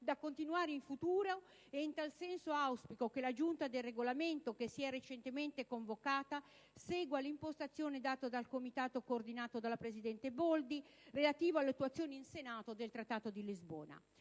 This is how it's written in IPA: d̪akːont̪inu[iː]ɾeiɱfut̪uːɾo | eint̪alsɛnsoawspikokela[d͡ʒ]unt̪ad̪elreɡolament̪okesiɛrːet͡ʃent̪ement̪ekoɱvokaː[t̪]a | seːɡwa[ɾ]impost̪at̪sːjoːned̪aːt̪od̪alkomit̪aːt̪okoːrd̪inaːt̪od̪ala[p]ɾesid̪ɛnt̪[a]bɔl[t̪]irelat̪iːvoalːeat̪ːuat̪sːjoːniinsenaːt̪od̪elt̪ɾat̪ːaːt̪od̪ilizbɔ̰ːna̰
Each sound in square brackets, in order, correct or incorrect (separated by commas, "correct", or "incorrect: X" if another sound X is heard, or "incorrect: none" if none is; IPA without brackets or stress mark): incorrect: aː, correct, correct, incorrect: l, correct, incorrect: e, incorrect: d̪